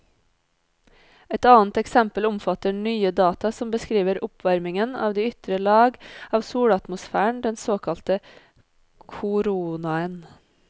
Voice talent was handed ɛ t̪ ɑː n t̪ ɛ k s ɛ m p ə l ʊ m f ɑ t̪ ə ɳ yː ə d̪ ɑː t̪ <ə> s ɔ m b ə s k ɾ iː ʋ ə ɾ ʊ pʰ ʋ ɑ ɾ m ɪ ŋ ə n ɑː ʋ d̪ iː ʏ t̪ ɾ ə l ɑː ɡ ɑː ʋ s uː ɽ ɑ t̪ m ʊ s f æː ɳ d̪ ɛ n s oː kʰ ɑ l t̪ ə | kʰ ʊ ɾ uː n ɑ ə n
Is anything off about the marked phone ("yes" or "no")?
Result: yes